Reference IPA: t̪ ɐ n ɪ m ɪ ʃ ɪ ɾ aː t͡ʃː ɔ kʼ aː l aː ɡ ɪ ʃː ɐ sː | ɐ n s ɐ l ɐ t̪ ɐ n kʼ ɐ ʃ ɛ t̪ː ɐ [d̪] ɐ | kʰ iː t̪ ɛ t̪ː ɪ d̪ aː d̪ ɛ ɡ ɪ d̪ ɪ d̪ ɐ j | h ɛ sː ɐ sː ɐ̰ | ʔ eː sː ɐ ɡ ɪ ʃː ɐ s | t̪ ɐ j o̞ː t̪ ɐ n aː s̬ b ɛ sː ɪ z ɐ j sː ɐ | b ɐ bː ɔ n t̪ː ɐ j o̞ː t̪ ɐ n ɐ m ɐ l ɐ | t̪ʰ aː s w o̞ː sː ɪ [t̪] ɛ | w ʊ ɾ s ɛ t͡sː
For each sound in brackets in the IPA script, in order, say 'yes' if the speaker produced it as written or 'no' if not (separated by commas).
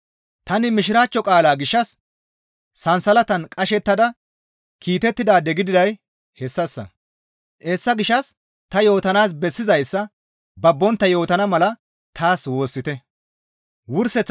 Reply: yes, yes